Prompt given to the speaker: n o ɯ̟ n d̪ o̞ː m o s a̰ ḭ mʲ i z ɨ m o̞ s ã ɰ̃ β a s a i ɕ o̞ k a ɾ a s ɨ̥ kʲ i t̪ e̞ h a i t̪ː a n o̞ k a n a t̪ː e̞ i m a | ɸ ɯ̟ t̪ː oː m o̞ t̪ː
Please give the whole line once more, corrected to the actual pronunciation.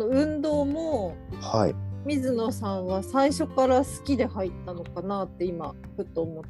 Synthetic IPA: n o ɯ̟̃ n d̪ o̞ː m o h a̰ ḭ mʲ i z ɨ n o̞ s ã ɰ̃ β a s a i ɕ o̞ k a ɾ a s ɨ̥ kʲ i d̪ e̞ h a i t̪ː a n o̞ k a n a t̪ː e̞ i m a | ɸ ɯ̟ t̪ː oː m o̞ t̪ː